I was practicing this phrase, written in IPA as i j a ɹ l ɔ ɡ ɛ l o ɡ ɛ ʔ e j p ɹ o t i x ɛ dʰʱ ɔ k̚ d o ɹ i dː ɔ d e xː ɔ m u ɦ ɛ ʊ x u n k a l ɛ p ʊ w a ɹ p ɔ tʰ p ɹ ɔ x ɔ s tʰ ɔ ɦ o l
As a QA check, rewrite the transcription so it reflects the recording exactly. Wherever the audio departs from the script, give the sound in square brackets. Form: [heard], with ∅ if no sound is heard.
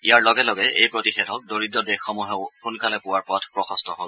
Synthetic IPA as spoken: i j a ɹ l ɔ ɡ ɛ l [ɔ] ɡ ɛ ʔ e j p ɹ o t i x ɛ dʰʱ ɔ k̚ d o ɹ i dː ɔ d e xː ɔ m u ɦ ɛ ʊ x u n k a l ɛ p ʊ w a ɹ p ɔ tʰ p ɹ ɔ x ɔ s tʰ ɔ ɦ o l